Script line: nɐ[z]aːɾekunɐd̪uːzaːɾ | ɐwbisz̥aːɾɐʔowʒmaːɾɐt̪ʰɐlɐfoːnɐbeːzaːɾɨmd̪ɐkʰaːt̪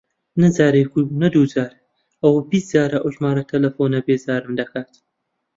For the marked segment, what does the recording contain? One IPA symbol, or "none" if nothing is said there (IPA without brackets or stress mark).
z